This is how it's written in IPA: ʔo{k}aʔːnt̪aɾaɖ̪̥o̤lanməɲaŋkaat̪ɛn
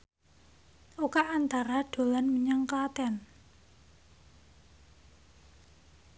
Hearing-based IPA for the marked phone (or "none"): k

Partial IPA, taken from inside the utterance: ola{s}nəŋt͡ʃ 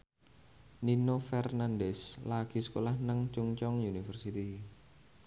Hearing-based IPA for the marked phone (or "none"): h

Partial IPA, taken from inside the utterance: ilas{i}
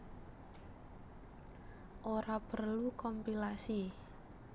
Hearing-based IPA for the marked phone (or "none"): i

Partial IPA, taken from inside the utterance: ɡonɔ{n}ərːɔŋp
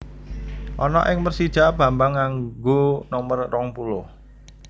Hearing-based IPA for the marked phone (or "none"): m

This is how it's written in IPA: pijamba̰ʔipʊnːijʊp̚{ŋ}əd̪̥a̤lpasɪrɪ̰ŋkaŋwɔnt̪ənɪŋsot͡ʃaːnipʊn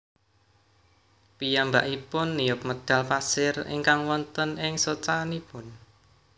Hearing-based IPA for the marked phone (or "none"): m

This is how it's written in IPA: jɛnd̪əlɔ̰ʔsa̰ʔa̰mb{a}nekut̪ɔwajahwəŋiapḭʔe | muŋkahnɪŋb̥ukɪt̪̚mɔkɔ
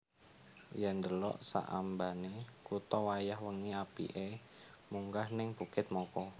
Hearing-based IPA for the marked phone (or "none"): a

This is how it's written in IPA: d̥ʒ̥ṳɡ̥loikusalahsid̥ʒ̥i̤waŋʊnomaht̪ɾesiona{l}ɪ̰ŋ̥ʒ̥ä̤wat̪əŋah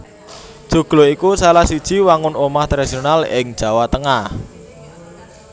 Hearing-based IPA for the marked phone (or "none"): l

